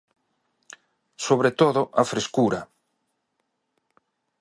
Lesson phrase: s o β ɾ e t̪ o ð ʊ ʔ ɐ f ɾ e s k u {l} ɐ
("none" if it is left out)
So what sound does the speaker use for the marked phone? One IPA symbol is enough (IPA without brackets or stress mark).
ɾ